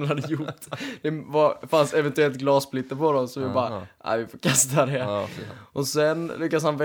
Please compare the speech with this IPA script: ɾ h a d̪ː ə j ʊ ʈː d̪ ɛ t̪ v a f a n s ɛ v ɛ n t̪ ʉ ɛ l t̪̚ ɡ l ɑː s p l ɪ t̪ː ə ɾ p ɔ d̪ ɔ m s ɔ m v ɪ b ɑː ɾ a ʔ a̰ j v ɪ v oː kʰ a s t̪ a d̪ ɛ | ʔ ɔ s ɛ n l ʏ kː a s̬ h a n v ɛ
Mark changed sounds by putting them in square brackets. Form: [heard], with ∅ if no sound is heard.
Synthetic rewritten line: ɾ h a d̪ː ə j ʊ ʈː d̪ ɛ [∅] v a f a n s ɛ v ɛ n t̪ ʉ ɛ l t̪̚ ɡ l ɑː s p l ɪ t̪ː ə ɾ p ɔ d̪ ɔ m s ɔ m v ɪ b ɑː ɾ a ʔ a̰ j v ɪ [f] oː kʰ a s t̪ a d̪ ɛ | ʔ ɔ s ɛ n l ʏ kː a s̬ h a n v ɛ